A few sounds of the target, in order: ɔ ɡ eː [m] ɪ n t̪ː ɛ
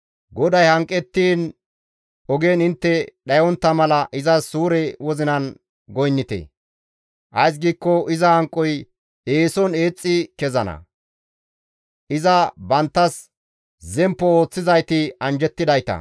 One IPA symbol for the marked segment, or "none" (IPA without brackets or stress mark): n